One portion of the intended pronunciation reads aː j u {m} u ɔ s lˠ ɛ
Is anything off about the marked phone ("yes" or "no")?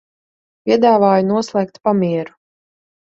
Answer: yes